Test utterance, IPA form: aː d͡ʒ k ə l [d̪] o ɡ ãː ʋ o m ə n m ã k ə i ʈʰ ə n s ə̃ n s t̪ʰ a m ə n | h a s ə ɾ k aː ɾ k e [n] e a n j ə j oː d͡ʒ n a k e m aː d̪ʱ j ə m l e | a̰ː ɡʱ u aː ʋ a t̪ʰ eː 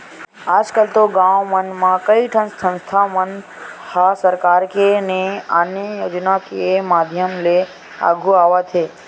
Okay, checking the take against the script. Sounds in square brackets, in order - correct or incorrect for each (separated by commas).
incorrect, correct